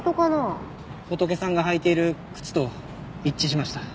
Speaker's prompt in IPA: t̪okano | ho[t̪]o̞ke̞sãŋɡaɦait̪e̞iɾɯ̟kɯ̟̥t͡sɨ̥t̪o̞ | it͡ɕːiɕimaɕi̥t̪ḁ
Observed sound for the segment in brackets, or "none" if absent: t̪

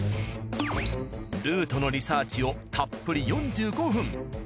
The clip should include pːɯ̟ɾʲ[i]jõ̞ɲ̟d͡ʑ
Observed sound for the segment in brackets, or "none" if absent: i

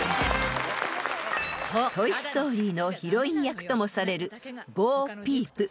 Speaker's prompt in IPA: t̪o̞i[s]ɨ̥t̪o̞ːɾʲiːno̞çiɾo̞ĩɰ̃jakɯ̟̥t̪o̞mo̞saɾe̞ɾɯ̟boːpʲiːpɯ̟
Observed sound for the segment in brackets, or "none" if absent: s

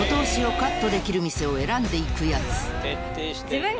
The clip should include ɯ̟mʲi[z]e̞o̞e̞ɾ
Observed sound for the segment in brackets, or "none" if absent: s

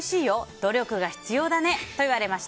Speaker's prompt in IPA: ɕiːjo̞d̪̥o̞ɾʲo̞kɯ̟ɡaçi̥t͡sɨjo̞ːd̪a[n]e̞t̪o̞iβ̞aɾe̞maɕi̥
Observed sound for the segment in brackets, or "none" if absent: n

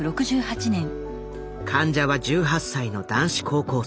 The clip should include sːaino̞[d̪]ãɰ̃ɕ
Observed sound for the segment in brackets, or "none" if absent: d̪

